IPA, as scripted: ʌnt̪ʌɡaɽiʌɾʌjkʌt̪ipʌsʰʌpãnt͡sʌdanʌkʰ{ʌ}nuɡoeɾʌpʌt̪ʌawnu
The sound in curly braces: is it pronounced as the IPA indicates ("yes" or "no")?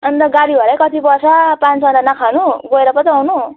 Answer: no